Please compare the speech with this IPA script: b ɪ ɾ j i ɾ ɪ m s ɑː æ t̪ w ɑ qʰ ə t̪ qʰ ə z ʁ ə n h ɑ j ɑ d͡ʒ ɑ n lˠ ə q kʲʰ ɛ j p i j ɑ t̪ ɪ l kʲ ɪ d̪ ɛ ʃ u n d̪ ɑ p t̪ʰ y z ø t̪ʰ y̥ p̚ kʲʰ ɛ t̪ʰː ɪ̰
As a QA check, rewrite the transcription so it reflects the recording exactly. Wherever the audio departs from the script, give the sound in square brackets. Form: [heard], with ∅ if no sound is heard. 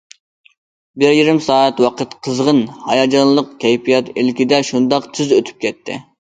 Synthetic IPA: b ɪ ɾ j i ɾ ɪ m s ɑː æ t̪ w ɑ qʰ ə t̪ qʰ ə z ʁ ə n h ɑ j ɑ d͡ʒ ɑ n lˠ ə q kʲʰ ɛ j p i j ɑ t̪ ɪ l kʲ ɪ d̪ ɛ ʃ u n d̪ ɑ [q] t̪ʰ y z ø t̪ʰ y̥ p̚ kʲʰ ɛ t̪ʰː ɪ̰